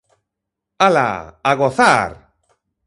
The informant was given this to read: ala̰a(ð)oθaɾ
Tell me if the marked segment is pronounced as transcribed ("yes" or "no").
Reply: no